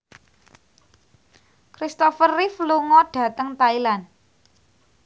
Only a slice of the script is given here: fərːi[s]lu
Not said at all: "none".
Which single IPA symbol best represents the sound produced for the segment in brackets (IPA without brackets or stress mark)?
f